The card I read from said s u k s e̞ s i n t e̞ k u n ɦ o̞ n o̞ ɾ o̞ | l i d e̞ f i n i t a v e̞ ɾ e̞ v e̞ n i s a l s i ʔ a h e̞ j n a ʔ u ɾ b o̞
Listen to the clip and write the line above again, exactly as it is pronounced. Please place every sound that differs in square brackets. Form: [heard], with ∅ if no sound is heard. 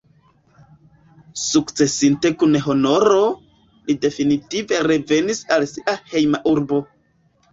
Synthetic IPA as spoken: s u k [t͡s] e̞ s i n t e̞ k u n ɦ o̞ n o̞ ɾ o̞ | l i d e̞ f i n i t [i] v e̞ ɾ e̞ v e̞ n i s a l s i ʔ a h e̞ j [m] a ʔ u ɾ b o̞